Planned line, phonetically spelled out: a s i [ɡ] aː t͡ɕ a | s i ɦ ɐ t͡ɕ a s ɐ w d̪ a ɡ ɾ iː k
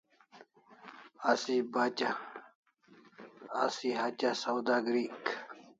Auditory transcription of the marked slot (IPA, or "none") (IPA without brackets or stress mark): b